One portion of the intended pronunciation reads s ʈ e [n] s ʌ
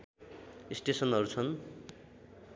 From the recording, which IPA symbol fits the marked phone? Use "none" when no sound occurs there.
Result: none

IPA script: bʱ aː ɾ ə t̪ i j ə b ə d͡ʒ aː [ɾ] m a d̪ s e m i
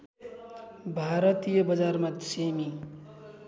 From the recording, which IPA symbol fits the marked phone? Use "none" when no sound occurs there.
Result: ɾ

